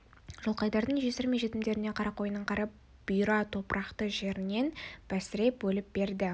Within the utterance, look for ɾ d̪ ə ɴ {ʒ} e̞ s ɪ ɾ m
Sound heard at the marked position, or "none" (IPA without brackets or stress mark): ʒ